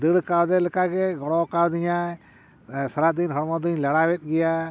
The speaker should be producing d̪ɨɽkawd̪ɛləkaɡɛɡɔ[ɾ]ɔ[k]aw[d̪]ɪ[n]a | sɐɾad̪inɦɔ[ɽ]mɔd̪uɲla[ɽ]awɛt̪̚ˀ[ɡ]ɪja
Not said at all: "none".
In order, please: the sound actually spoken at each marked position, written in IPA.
ɽ, k, d̪, ɲ, ɾ, ɽ, ɡ

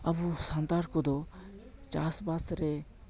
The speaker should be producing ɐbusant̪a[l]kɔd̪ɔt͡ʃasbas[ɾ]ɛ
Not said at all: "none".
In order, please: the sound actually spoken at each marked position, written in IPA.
ɾ, ɾ

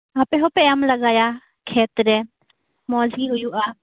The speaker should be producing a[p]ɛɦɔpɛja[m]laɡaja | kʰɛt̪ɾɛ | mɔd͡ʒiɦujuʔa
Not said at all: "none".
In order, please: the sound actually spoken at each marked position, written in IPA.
p, m

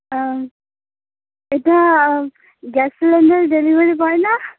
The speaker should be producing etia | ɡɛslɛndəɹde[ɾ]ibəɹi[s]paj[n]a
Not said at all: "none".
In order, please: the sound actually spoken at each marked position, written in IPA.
l, none, n

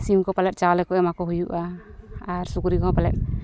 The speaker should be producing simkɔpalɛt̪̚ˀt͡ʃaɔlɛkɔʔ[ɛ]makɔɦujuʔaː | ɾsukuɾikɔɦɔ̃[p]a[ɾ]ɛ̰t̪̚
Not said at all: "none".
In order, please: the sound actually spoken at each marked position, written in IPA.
ɛ, p, l

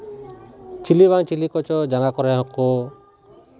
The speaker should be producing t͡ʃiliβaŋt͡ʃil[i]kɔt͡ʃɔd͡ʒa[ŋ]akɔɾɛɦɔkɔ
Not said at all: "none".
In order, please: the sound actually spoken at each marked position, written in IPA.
i, ŋ

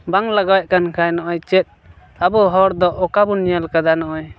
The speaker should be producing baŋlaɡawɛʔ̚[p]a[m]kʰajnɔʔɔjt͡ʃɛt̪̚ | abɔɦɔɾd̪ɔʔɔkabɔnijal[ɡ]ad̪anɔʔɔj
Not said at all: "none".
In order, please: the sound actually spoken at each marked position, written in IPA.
k, n, k

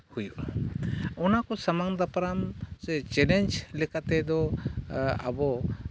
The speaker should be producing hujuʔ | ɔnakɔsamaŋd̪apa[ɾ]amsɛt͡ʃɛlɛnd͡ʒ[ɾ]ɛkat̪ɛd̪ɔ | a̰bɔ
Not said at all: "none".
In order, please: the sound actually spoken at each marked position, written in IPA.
ɾ, l

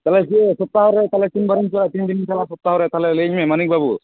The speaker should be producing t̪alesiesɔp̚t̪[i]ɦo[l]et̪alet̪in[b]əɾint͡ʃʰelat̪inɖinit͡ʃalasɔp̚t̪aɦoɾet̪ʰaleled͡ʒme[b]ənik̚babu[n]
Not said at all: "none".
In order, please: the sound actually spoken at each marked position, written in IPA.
a, ɾ, b, m, none

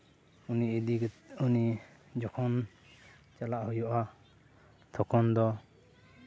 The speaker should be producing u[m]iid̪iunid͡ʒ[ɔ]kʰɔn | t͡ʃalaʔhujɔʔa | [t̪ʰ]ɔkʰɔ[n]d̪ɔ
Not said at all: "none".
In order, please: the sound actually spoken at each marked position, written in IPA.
n, ɔ, t̪ʰ, n

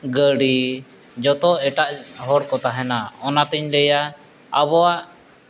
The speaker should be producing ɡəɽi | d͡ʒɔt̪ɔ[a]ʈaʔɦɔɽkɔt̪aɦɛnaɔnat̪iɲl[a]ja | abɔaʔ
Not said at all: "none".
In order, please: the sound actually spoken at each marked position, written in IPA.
ɛ, ɛ

